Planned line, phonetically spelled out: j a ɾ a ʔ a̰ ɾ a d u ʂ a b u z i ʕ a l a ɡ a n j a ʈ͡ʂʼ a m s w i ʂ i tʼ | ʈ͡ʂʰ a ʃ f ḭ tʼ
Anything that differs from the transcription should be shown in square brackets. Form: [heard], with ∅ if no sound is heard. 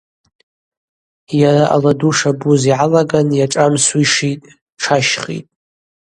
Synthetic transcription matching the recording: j a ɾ a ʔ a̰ [l] a d u ʂ a b u z i ʕ a l a ɡ a n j a ʈ͡ʂʼ a m s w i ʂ i tʼ | ʈ͡ʂʰ a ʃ [χ] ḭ tʼ